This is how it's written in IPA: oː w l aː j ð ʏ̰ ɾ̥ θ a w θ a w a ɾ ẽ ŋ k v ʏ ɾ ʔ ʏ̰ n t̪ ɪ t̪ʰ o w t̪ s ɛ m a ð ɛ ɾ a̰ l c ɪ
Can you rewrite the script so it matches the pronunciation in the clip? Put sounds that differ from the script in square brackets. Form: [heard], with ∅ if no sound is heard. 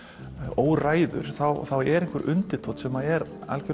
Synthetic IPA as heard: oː w [r] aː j ð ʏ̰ ɾ̥ θ a w θ a w [ɛ] ɾ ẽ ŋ k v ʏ ɾ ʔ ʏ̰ n t̪ ɪ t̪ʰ o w t̪ s ɛ m a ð ɛ ɾ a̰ l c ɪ